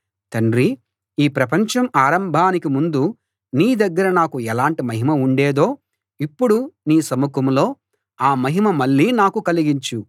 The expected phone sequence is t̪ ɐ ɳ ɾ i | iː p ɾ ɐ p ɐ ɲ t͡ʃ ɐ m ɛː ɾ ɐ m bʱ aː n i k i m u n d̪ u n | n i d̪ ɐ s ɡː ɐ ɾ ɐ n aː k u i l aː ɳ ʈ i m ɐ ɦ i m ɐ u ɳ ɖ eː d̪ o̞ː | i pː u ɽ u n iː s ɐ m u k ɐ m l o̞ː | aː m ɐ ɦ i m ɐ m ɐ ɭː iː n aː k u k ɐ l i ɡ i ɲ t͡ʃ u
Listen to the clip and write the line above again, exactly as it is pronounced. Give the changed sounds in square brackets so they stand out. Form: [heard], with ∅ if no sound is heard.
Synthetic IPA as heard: t̪ ɐ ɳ ɾ i | iː p ɾ ɐ p ɐ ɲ t͡ʃ ɐ m [aː] ɾ ɐ m bʱ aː n i k i m u n d̪ u [∅] | n [iː] d̪ ɐ [∅] ɡː ɐ ɾ ɐ n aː k u [ɛ] l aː ɳ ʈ i m ɐ ɦ i m ɐ u ɳ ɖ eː d̪ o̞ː | i pː u ɽ u n iː s ɐ m u k ɐ m l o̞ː | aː m ɐ ɦ i m ɐ m ɐ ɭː iː n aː k u k ɐ l i ɡ i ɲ t͡ʃ u